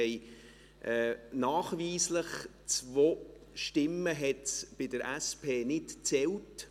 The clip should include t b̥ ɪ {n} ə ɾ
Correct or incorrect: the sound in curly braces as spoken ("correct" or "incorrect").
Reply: incorrect